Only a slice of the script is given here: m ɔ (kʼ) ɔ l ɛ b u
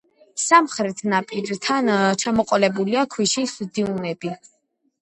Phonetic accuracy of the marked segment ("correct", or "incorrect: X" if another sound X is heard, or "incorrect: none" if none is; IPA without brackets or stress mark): incorrect: qʼ